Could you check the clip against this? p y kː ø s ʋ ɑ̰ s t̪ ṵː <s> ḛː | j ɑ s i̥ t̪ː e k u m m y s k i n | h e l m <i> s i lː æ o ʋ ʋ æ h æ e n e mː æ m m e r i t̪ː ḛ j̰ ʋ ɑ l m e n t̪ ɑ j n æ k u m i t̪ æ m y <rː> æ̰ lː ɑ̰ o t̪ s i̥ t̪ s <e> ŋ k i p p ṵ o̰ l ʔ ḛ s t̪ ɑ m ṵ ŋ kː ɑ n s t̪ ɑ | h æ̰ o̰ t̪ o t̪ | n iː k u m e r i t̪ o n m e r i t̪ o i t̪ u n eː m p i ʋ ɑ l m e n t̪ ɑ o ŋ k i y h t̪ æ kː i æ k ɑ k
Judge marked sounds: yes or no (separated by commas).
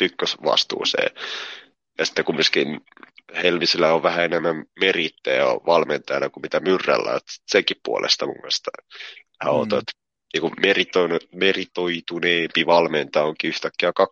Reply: yes, yes, yes, yes